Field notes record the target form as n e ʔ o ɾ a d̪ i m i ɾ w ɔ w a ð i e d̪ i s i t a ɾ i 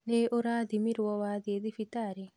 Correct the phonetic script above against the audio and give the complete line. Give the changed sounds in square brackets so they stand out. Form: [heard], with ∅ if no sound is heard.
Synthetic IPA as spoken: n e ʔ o ɾ a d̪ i m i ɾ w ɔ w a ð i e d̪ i [f] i t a ɾ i